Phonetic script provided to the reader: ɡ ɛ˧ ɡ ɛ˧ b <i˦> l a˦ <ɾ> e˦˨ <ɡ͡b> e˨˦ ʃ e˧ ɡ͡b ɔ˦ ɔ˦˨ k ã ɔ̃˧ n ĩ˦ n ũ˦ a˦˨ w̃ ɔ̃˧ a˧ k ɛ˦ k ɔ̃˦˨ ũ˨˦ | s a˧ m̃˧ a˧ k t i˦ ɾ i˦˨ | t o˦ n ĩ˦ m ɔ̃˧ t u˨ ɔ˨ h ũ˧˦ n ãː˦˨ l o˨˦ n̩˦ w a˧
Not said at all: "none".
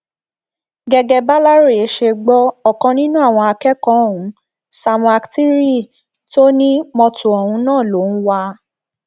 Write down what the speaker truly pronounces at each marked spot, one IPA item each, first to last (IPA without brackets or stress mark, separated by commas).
a˦, ɾ, none